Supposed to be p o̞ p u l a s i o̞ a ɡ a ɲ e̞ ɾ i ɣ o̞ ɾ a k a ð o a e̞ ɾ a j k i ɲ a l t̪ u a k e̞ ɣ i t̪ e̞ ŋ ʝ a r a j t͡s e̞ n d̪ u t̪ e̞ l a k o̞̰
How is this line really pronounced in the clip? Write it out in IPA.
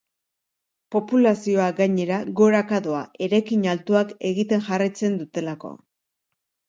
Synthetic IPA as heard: p o̞ p u l a s i o̞ a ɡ a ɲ e̞ ɾ a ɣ o̞ ɾ a k a ð o a e̞ ɾ a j k i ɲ a l t̪ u a k e̞ ɣ i t̪ e̞ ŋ ʝ a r a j t͡s e̞ n d̪ u t̪ e̞ l a k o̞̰